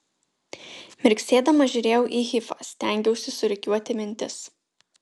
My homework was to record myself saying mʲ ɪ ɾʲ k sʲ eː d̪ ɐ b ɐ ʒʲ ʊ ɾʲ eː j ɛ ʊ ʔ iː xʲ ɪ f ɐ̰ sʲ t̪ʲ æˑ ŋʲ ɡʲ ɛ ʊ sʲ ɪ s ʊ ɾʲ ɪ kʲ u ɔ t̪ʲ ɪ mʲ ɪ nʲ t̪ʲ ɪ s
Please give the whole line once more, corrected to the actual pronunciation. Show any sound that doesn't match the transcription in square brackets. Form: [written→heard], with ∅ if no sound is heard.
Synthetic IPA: mʲ ɪ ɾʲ k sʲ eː d̪ ɐ [b→m] ɐ ʒʲ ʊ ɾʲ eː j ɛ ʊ ʔ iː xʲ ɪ f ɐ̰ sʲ t̪ʲ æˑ ŋʲ ɡʲ ɛ ʊ sʲ ɪ s ʊ ɾʲ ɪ kʲ u ɔ t̪ʲ ɪ mʲ ɪ nʲ t̪ʲ ɪ s